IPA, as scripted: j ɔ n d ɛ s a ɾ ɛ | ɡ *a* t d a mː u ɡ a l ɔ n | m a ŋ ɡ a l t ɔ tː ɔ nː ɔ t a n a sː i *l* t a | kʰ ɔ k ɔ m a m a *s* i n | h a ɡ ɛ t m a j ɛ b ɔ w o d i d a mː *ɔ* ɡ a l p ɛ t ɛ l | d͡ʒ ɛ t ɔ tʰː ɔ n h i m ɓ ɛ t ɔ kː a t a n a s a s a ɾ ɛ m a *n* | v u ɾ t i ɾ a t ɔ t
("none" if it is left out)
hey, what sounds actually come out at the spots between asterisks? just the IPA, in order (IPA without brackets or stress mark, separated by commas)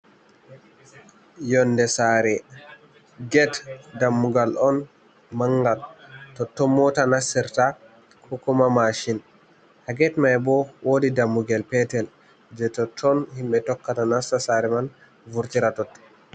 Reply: ɛ, ɾ, ʃ, u, n